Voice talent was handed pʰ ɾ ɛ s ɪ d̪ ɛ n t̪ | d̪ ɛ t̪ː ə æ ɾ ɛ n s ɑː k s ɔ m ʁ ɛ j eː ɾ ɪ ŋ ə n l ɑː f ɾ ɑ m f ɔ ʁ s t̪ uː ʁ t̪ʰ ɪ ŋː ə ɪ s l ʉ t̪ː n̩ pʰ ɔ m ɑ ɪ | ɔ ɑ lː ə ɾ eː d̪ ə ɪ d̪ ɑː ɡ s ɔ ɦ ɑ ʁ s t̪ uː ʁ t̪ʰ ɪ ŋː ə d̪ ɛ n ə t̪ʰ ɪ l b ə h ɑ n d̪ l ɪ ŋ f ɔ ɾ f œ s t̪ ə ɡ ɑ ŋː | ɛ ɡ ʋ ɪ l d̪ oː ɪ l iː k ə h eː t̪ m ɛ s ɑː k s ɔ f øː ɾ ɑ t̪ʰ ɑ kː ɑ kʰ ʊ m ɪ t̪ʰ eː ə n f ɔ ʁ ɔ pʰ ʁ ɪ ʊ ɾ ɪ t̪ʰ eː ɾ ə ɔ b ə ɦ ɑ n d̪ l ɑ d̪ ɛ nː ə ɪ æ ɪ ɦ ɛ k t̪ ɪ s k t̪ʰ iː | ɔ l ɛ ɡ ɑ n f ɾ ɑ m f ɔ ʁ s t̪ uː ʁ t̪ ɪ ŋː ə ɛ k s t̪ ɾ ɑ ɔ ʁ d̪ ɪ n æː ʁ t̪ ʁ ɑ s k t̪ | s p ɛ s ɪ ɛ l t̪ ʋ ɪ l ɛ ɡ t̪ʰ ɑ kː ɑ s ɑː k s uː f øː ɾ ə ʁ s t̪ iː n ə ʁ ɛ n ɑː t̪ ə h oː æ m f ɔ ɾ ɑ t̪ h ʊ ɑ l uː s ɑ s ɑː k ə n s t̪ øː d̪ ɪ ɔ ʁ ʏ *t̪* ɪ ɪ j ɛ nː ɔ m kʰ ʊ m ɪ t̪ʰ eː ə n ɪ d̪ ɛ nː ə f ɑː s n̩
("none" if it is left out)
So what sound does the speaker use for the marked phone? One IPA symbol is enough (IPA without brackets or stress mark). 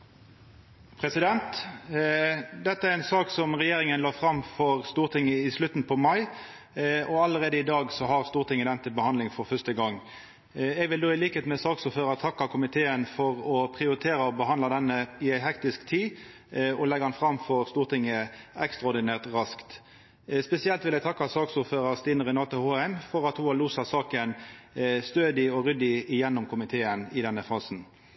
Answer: d̪